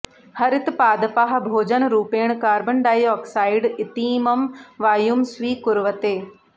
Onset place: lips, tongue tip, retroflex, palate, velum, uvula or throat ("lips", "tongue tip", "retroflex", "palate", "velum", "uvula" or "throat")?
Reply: throat